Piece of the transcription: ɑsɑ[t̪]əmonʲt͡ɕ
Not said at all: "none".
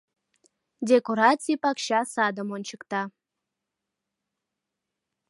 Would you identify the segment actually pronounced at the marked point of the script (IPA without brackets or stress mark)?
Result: d̪